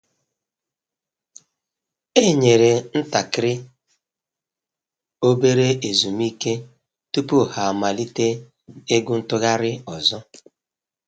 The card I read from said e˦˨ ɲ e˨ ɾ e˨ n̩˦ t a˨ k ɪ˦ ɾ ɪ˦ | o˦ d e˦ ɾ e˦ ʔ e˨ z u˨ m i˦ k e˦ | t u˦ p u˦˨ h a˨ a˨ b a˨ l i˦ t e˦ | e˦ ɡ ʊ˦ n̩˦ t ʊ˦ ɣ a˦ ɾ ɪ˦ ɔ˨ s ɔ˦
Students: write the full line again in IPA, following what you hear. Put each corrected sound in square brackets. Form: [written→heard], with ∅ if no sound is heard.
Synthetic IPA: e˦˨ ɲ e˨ ɾ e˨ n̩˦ t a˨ k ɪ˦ ɾ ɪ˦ | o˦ [d→b] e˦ ɾ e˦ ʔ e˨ z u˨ m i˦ k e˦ | t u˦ p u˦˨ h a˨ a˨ [b→m] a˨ l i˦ t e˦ | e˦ ɡ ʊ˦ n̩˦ t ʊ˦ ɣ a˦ ɾ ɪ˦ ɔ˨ [s→z] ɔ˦